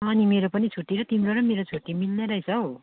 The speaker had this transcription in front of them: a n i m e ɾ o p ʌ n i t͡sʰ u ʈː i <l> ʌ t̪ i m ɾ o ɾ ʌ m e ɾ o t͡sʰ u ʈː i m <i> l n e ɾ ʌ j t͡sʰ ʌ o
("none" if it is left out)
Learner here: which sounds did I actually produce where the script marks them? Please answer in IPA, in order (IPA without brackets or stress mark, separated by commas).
ɾ, i